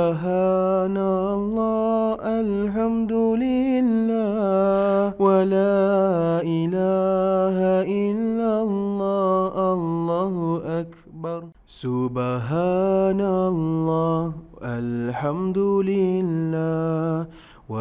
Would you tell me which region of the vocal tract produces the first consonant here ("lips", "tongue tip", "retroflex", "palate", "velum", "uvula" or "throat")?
throat